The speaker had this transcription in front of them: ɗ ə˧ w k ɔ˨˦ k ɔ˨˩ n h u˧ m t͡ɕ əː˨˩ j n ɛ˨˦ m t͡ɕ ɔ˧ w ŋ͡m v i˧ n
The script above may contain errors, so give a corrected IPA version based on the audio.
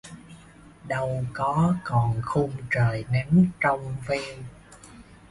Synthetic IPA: ɗ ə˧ w k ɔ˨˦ k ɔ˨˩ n x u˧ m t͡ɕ əː˨˩ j n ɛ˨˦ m t͡ɕ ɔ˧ w ŋ͡m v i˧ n